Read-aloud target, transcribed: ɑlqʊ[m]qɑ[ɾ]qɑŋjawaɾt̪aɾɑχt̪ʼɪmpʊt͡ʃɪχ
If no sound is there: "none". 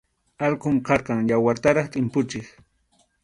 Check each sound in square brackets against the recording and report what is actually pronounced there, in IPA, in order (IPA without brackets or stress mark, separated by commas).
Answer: m, ɾ